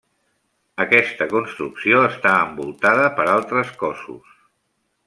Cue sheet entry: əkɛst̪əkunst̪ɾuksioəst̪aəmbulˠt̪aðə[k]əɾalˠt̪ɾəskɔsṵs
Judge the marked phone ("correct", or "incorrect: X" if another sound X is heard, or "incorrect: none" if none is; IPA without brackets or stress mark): incorrect: p